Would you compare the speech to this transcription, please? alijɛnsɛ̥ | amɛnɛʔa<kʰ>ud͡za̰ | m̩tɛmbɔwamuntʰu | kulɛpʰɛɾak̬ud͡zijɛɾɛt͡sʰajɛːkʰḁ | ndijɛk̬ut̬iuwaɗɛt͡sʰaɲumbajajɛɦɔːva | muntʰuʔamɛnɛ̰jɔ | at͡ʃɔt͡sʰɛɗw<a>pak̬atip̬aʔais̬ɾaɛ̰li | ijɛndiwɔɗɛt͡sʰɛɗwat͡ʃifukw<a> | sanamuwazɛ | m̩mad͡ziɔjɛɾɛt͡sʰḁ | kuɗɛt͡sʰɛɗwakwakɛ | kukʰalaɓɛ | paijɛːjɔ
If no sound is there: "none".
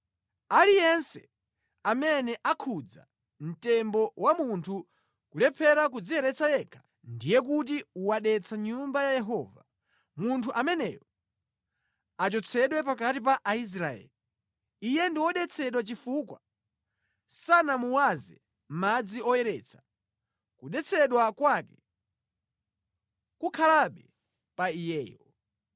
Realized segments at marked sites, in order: kʰ, ɛ, a

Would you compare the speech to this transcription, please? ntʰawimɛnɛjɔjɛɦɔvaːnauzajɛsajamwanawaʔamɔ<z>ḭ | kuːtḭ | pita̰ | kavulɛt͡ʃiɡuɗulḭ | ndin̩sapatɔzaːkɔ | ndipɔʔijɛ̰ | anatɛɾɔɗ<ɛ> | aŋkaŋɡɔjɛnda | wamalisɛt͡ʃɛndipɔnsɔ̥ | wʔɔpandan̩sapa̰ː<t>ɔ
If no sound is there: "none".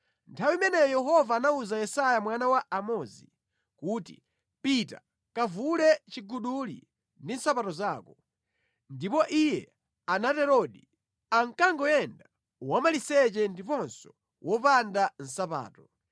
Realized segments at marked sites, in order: z, i, t

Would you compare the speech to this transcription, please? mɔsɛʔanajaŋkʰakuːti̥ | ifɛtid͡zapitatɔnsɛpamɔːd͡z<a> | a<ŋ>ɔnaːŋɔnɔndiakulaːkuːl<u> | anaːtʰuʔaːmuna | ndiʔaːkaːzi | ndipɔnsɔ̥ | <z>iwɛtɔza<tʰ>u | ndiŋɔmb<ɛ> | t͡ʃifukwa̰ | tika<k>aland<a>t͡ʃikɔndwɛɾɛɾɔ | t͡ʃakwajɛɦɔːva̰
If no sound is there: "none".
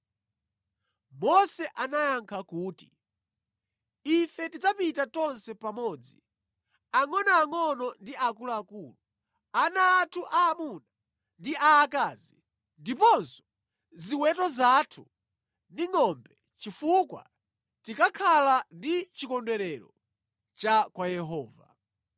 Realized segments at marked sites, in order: i, ŋ, u, z, tʰ, ɛ, kʰ, i

